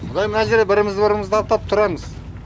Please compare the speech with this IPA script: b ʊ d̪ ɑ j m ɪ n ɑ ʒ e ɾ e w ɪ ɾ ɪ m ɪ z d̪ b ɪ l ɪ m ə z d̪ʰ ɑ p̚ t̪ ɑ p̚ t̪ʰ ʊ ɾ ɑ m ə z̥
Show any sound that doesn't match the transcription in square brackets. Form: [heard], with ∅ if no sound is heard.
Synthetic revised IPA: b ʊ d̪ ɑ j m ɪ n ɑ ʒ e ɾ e [b] ɪ ɾ ɪ m ɪ z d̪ b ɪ [ɾ] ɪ m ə z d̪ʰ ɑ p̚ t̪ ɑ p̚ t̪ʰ ʊ ɾ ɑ m ə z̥